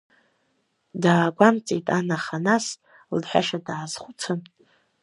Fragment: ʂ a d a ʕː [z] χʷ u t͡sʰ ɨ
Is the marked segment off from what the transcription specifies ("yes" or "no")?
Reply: no